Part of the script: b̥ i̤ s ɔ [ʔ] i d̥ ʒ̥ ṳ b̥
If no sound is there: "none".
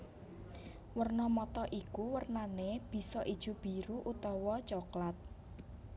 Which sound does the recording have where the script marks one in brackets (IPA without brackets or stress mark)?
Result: ʔ